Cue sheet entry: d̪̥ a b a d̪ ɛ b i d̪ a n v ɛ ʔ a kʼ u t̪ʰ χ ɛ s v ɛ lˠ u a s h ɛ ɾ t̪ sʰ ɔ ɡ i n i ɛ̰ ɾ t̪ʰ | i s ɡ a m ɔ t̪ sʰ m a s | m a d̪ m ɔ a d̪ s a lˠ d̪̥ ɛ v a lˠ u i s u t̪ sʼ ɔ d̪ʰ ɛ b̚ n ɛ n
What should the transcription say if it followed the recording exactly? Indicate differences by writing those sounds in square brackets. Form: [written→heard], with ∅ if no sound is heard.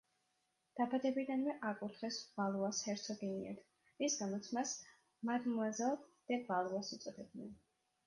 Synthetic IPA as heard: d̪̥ a b a d̪ ɛ b i d̪ a n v ɛ ʔ a kʼ u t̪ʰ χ ɛ s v [ɛ→a] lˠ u a s h ɛ ɾ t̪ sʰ ɔ ɡ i n i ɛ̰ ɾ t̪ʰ | i s ɡ a m ɔ t̪ sʰ m a s | m a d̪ m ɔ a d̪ [s→z] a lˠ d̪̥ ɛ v a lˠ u [i→a] s u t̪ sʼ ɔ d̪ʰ ɛ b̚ n ɛ n

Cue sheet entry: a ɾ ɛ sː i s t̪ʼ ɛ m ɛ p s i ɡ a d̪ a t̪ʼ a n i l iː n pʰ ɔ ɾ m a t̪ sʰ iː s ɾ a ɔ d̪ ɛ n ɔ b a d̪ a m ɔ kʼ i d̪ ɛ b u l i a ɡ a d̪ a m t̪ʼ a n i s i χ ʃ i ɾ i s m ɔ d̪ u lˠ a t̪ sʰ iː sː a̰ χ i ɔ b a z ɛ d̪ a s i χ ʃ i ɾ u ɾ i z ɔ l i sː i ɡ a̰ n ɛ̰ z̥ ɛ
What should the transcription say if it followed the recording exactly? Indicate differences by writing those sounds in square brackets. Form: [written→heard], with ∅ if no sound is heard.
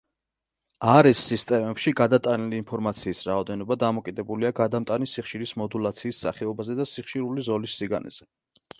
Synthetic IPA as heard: a ɾ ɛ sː i s t̪ʼ ɛ m ɛ p [s→ʃ] i ɡ a d̪ a t̪ʼ a n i l iː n pʰ ɔ ɾ m a t̪ sʰ iː s ɾ a ɔ d̪ ɛ n ɔ b a d̪ a m ɔ kʼ i d̪ ɛ b u l i a ɡ a d̪ a m t̪ʼ a n i s i χ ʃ i ɾ i s m ɔ d̪ u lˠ a t̪ sʰ iː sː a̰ χ [i→ɛ] ɔ b a z ɛ d̪ a s i χ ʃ i ɾ u [ɾ→l] i z ɔ l i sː i ɡ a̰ n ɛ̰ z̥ ɛ

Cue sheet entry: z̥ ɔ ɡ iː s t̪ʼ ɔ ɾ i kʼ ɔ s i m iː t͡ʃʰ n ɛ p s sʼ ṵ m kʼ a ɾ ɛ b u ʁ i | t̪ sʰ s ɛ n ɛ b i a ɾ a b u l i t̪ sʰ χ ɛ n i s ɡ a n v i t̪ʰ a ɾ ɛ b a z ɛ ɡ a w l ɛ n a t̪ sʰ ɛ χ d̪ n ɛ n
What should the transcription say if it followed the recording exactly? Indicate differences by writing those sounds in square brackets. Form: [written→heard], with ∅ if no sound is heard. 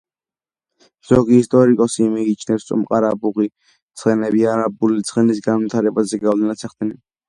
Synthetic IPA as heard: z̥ ɔ ɡ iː s t̪ʼ ɔ ɾ i kʼ ɔ s i m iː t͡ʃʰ n ɛ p s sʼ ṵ m [kʼ→qʼ] a ɾ [ɛ→a] b u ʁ i | t̪ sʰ [s→χ] ɛ n ɛ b i a ɾ a b u l i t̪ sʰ χ ɛ n i s ɡ a n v i t̪ʰ a ɾ ɛ b a z ɛ ɡ a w l ɛ n a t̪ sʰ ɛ χ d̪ n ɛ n

